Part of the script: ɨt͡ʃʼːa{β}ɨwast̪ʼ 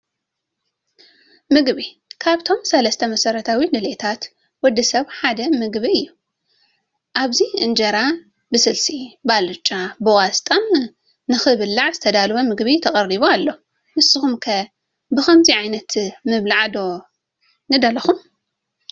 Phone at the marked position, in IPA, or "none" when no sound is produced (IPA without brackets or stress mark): b